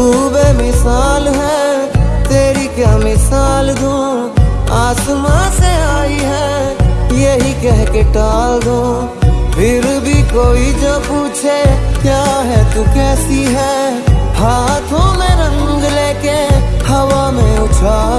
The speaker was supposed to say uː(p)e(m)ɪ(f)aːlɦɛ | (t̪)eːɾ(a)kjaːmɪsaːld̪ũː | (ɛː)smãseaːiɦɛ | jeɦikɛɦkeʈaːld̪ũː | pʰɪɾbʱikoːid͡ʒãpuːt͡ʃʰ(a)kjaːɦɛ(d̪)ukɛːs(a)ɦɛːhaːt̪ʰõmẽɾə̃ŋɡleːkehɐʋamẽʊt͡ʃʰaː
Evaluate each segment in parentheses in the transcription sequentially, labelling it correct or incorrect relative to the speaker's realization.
incorrect: b, correct, incorrect: s, correct, incorrect: i, incorrect: aː, incorrect: e, incorrect: t̪, incorrect: i

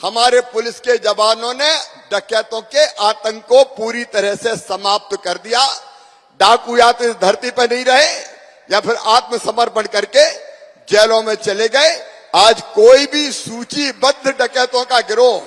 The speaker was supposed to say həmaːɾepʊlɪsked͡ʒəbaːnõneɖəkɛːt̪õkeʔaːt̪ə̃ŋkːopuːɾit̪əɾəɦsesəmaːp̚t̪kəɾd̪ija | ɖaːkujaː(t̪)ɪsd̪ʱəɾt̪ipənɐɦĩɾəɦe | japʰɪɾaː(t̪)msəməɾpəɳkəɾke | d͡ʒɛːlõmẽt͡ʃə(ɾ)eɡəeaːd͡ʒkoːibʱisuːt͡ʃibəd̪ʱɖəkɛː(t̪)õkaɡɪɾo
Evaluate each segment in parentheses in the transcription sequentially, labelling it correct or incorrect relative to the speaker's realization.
correct, correct, incorrect: l, correct

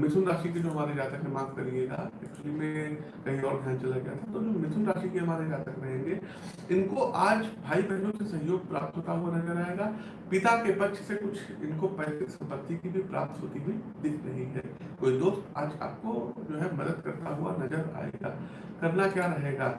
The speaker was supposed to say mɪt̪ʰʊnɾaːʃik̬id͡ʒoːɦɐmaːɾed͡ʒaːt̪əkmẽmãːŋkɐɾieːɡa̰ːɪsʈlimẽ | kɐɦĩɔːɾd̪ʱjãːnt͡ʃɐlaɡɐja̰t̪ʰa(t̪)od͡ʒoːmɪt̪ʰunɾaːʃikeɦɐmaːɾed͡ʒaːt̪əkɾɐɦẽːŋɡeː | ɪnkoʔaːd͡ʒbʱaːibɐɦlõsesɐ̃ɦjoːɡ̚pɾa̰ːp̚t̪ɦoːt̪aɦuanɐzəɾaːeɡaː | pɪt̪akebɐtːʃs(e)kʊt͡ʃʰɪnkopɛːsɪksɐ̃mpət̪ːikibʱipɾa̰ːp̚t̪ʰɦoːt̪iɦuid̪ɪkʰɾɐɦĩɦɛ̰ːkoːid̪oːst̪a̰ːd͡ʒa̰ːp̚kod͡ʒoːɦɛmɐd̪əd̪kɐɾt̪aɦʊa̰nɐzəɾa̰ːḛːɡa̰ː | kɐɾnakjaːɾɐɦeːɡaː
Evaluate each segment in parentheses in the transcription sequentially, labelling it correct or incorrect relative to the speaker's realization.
correct, correct

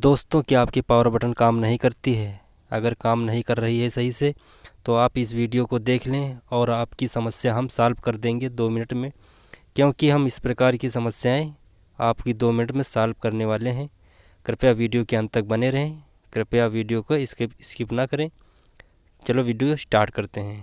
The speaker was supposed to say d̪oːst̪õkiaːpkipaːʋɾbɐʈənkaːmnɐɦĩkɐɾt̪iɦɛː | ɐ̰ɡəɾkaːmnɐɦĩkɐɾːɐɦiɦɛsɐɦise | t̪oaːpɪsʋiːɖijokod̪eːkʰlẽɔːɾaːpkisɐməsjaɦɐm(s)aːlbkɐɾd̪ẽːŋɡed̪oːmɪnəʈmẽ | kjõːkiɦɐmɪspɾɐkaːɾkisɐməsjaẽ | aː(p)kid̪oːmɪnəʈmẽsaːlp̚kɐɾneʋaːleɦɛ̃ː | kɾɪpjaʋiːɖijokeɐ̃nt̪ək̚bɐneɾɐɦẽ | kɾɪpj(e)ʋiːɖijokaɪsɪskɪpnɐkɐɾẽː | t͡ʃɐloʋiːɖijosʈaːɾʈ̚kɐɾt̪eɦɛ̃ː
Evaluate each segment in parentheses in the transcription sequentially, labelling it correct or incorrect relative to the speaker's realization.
correct, correct, incorrect: a

